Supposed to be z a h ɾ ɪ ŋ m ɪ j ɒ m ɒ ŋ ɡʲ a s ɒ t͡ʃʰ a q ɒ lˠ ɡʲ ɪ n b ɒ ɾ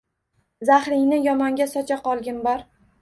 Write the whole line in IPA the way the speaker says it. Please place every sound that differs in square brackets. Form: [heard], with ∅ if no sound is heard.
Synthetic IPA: z a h ɾ ɪ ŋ [n] ɪ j ɒ m ɒ ŋ ɡʲ a s ɒ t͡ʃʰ a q ɒ lˠ ɡʲ ɪ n b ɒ ɾ